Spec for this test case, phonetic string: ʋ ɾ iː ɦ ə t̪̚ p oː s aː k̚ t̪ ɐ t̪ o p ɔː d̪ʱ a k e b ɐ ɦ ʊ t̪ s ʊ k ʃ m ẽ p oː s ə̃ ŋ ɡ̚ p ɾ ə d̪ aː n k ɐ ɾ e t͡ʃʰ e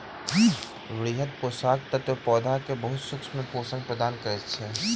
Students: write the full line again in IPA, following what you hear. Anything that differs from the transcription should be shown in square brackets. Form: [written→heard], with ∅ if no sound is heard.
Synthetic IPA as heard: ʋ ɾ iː ɦ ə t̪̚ p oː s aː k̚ t̪ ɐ t̪ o p ɔː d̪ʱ a k e b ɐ ɦ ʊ t̪ s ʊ k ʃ m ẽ p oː s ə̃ ŋ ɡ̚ p ɾ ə d̪ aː n k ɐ ɾ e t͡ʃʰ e